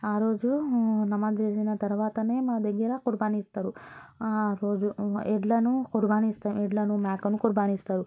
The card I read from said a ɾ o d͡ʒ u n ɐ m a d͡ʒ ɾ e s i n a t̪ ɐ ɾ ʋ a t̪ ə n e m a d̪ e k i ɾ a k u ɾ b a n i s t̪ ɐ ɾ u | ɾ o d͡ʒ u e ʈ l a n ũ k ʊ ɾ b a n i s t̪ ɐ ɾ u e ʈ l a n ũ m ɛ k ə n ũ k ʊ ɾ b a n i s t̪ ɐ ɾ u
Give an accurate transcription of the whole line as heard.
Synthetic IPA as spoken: a ɾ o d͡ʒ u n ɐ m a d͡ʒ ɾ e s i n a t̪ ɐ ɾ ʋ a t̪ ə n e m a d̪ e ɡ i ɾ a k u ɾ b a n i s t̪ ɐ ɾ u | ɾ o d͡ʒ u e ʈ l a n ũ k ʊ ɾ b a n i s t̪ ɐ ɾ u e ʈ l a n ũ m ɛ k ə n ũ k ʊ ɾ b a n i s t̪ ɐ ɾ u